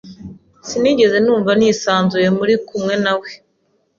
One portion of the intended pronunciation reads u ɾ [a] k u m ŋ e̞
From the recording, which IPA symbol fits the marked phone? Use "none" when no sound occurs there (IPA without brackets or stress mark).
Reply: i